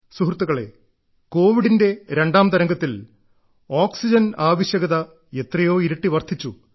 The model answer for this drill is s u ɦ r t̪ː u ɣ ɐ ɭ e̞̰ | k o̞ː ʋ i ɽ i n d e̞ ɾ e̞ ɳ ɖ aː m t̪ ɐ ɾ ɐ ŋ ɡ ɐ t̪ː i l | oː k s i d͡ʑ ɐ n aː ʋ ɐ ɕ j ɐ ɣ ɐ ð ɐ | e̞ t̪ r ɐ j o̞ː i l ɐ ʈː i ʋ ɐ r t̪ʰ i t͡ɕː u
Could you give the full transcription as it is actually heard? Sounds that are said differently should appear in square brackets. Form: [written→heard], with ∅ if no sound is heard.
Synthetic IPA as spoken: s u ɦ r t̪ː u ɣ ɐ ɭ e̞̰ | k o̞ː ʋ i ɽ i n d e̞ ɾ e̞ ɳ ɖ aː m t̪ ɐ ɾ ɐ ŋ ɡ ɐ t̪ː i l | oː k s i d͡ʑ ɐ n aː ʋ ɐ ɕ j ɐ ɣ ɐ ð ɐ | e̞ t̪ r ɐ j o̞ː i [l→ɾ] ɐ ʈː i ʋ ɐ r t̪ʰ i t͡ɕː u